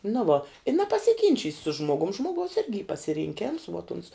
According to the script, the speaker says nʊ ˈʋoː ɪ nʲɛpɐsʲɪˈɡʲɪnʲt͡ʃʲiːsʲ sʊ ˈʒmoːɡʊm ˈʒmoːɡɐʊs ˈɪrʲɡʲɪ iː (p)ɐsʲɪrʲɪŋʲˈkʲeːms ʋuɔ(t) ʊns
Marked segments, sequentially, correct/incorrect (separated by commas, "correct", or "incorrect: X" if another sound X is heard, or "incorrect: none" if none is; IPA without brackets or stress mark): correct, correct